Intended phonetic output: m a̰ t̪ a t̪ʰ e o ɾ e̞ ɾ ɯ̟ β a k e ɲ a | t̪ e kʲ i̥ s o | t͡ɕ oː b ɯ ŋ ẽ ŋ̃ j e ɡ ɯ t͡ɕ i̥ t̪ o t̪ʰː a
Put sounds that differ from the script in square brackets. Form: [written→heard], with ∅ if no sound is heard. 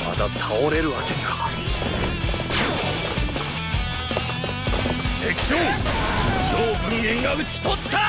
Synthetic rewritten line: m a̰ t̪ a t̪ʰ [e→a] o ɾ e̞ ɾ ɯ̟ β a k e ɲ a | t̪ e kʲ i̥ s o | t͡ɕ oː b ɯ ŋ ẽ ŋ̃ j [e→a] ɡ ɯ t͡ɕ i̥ t̪ o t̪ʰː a